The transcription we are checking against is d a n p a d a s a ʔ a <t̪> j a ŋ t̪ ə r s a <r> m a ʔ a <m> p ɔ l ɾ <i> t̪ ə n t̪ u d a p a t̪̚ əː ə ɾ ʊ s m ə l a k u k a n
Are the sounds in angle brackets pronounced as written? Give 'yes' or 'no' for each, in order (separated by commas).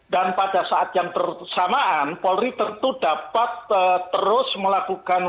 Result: yes, no, no, yes